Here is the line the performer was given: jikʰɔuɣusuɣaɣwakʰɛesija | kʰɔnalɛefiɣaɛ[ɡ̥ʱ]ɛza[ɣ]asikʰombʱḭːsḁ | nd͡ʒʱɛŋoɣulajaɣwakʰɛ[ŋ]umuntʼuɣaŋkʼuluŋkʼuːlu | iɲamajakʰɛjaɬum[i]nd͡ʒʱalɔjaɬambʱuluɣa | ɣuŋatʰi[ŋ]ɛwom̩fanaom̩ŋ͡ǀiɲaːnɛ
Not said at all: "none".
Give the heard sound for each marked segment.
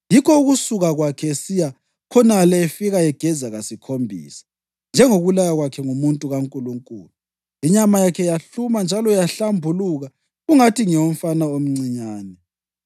ɡ̥ʱ, ɣ, ŋ, a, ŋ

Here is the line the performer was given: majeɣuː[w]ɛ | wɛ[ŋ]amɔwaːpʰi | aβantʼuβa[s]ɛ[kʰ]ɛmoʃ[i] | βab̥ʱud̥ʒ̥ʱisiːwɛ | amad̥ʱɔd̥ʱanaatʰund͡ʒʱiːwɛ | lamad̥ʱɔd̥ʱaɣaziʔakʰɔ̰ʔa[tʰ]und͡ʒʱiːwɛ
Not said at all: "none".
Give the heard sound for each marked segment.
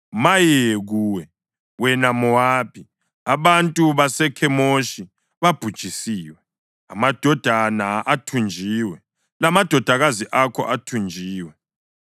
w, n, s, kʰ, i, tʰ

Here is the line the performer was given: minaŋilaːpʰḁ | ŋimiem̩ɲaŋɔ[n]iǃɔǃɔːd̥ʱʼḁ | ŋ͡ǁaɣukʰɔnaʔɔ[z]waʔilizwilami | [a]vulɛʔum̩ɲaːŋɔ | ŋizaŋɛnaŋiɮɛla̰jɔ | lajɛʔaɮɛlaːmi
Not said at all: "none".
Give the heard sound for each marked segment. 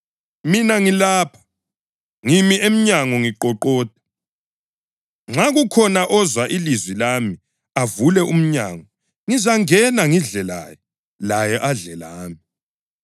ŋ, z, a

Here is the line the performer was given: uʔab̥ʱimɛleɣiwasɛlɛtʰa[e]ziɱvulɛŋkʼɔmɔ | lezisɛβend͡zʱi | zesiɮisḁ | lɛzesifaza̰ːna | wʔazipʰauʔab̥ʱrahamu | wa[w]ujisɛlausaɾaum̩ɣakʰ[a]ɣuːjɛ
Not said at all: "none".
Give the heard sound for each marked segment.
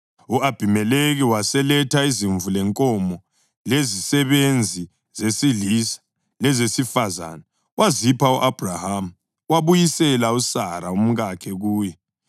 i, β, ɛ

